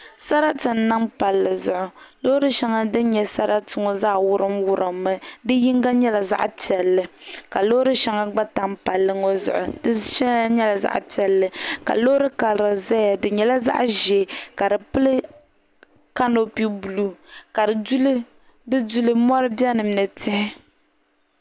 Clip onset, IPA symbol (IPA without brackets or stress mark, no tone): s